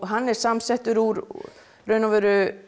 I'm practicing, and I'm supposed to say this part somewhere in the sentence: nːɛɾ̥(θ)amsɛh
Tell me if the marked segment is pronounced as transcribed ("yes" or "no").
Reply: no